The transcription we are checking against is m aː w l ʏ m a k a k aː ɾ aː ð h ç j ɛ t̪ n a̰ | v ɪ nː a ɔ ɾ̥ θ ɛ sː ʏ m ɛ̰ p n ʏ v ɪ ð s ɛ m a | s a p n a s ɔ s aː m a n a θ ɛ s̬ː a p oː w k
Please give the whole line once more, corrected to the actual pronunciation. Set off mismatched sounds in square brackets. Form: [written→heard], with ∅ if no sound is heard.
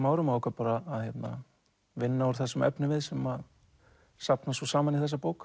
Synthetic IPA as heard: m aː w [l→ɾ] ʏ m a k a [k→p] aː ɾ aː ð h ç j ɛ t̪ n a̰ | v ɪ nː a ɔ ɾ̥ θ ɛ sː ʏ m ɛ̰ p n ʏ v ɪ ð s ɛ m a | s a p n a s ɔ s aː m a n [a→i] θ ɛ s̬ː a p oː w k